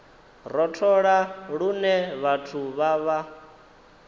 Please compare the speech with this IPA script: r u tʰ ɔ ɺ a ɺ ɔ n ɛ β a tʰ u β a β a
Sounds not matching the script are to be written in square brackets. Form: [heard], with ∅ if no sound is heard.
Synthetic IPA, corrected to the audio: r [ɔ] tʰ ɔ ɺ a ɺ [u] n ɛ β a tʰ u β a β a